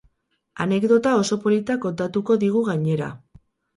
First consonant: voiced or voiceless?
voiced